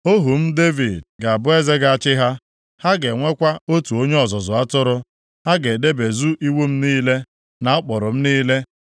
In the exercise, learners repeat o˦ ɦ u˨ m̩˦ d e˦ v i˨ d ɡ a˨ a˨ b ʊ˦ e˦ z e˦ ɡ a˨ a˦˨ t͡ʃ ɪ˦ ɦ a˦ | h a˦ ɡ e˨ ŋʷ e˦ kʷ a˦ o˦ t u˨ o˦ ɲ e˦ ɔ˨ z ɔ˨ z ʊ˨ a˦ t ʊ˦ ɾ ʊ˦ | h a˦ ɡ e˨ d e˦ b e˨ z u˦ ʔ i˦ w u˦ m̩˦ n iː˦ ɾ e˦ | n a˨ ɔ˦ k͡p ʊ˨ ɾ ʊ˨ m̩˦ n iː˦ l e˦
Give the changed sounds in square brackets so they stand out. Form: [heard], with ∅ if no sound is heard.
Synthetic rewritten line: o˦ ɦ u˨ m̩˦ d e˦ v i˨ d ɡ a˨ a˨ b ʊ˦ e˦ z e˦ ɡ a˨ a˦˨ t͡ʃ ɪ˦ ɦ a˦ | h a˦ ɡ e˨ ŋʷ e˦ kʷ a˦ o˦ t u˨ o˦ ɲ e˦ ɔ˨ z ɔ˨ z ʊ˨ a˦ t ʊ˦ ɾ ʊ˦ | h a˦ ɡ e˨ d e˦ b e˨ z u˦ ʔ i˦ w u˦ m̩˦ n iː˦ [l] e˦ | n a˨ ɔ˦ k͡p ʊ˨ ɾ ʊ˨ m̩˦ n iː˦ l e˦

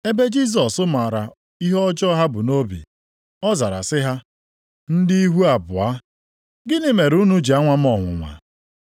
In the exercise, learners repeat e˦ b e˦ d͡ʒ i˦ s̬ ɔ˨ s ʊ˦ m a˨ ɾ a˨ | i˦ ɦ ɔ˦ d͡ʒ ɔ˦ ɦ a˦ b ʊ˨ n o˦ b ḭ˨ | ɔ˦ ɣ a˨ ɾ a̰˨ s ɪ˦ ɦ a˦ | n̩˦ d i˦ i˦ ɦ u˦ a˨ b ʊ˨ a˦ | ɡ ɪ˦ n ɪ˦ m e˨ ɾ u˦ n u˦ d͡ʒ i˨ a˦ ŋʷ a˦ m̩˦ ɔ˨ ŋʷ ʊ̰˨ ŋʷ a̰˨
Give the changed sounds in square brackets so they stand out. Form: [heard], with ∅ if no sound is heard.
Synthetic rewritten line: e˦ b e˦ d͡ʒ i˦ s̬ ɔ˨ s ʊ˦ m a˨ ɾ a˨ | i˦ ɦ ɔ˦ d͡ʒ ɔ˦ ɦ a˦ b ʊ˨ n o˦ b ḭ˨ | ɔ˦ [z] a˨ ɾ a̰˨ s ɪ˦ ɦ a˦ | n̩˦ d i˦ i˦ ɦ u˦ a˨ b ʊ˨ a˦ | ɡ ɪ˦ n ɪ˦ m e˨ ɾ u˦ n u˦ d͡ʒ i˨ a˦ ŋʷ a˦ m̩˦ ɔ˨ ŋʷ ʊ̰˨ ŋʷ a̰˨

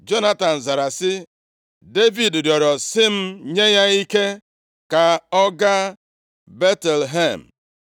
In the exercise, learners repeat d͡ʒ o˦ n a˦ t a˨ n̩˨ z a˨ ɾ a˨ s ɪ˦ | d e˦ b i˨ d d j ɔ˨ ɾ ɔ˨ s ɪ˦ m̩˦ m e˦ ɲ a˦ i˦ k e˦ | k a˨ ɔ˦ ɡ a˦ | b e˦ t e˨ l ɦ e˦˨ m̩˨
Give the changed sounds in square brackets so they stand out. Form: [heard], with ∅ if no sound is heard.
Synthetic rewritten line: d͡ʒ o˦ n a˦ t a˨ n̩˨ z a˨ ɾ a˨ s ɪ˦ | d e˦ [v] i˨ d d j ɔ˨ ɾ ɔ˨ s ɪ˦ m̩˦ [ɲ] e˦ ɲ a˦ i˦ k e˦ | k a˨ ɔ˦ ɡ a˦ | b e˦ t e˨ l ɦ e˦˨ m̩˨

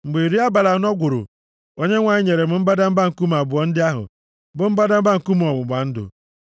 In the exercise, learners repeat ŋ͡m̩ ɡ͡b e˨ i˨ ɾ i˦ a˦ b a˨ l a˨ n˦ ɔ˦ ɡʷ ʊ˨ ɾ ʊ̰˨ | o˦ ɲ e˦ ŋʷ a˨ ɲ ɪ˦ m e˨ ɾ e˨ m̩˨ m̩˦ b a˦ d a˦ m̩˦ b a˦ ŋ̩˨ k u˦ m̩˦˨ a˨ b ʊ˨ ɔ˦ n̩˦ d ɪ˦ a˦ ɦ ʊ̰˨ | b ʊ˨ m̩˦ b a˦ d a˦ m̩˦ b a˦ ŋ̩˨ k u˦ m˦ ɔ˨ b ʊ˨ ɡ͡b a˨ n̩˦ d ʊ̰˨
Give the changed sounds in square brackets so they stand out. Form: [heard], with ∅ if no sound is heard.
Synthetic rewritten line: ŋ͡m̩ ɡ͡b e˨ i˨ ɾ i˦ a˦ b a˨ l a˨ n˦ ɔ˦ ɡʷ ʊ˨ ɾ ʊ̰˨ | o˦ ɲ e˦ ŋʷ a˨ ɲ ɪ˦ [ɲ] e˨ ɾ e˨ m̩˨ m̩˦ b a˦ d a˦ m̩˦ b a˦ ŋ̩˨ k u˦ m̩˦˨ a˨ b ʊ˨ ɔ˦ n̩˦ d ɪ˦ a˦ ɦ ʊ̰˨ | b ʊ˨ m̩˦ b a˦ d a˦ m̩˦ b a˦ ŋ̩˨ k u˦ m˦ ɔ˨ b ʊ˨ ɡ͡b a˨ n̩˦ d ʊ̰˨

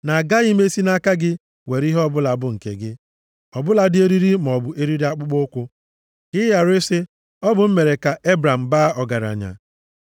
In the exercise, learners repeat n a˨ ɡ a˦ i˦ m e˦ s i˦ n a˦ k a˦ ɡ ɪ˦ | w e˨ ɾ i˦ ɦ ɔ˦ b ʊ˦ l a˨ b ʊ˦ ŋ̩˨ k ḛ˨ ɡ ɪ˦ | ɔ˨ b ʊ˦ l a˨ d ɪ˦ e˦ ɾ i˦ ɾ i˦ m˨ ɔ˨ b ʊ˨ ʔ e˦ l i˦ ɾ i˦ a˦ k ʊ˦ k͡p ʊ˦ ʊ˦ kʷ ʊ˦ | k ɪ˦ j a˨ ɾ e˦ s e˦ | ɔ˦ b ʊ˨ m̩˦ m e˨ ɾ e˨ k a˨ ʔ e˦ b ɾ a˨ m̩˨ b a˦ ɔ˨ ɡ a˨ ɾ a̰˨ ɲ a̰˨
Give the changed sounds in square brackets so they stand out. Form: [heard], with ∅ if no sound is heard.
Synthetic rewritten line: n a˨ ɡ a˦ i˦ m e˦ s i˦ n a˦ k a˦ ɡ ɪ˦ | w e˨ ɾ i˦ ɦ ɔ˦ b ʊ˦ l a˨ b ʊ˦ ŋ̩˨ k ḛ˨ ɡ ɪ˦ | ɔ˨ b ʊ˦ l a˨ d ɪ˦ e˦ ɾ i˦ ɾ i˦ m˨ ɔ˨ b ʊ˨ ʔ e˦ [ɾ] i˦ ɾ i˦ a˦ [k͡p] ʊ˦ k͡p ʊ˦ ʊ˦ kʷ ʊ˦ | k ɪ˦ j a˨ ɾ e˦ s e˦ | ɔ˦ b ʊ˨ m̩˦ m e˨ ɾ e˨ k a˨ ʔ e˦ b ɾ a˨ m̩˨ b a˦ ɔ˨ ɡ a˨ ɾ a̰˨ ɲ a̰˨

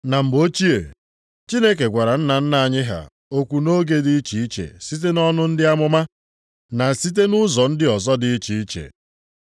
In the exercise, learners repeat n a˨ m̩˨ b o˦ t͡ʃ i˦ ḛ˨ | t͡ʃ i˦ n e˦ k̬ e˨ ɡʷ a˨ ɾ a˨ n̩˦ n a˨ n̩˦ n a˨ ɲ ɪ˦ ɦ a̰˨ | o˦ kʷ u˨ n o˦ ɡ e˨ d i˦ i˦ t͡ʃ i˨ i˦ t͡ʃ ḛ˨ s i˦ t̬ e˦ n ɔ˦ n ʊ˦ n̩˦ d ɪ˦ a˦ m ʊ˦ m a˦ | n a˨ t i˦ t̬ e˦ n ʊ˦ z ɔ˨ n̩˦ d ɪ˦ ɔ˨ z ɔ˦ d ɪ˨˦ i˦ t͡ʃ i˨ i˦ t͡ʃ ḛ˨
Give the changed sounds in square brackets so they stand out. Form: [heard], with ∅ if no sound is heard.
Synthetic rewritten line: n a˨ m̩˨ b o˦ t͡ʃ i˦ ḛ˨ | t͡ʃ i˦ n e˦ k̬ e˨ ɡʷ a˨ ɾ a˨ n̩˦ n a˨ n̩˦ n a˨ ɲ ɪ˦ ɦ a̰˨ | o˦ kʷ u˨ n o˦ ɡ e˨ d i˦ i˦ t͡ʃ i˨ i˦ t͡ʃ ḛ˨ s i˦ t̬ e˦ n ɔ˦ n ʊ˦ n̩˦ d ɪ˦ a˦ m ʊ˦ m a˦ | n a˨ [s] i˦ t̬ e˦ n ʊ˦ z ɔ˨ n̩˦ d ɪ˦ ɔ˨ z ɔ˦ d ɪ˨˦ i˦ t͡ʃ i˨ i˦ t͡ʃ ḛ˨

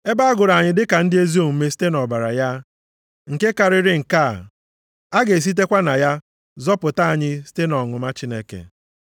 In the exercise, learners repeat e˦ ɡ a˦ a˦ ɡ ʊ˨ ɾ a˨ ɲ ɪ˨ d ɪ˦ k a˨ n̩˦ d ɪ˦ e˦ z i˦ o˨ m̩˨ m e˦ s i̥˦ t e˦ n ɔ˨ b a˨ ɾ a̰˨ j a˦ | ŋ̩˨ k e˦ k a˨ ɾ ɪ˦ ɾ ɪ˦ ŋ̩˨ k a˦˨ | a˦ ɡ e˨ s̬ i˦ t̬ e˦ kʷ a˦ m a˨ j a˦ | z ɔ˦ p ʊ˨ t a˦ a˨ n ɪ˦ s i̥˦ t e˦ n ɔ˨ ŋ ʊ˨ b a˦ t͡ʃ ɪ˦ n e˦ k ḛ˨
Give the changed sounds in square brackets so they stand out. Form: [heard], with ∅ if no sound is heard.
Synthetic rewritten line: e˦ [b] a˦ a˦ ɡ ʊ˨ ɾ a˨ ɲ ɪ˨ d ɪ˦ k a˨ n̩˦ d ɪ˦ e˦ z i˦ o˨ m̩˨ m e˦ s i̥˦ t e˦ n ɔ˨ b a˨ ɾ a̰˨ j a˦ | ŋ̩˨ k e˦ k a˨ ɾ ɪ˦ ɾ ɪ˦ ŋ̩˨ k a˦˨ | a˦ ɡ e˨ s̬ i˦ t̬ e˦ kʷ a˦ [n] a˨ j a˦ | z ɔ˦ p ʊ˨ t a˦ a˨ [ɲ] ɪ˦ s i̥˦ t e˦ n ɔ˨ ŋ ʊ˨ [m] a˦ t͡ʃ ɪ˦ n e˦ k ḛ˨

